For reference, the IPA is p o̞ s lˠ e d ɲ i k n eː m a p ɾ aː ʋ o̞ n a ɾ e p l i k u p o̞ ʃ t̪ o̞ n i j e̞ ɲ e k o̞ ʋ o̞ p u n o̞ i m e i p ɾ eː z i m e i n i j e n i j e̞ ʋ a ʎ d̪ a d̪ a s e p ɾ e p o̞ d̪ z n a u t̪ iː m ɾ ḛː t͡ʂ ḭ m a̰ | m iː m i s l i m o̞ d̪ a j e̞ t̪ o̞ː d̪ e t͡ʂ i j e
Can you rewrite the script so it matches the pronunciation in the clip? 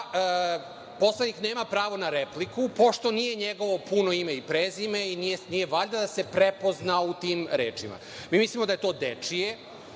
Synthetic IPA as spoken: p o̞ s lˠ e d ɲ i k n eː m a p ɾ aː ʋ o̞ n a ɾ e p l i k u p o̞ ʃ t̪ o̞ n i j e̞ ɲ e ɡ o̞ ʋ o̞ p u n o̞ i m e i p ɾ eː z i m e i n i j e n i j e̞ ʋ a ʎ d̪ a d̪ a s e p ɾ e p o̞ z n a u t̪ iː m ɾ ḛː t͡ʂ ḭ m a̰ | m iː m i s l i m o̞ d̪ a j e̞ t̪ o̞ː d̪ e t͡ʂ i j e